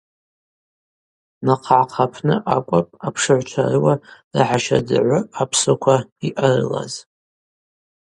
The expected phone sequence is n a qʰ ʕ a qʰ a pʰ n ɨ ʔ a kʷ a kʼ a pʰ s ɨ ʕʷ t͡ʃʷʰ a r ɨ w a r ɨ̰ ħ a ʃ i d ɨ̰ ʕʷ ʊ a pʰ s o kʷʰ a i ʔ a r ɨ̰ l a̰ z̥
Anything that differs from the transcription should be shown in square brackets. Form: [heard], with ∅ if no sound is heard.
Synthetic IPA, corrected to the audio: n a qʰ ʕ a qʰ a pʰ n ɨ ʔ a [kʷʼ] a [pʼ] a pʰ [ʂ] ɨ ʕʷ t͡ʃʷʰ a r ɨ w a r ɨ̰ ħ a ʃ [a] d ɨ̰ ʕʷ ʊ a pʰ s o kʷʰ a i ʔ a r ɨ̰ l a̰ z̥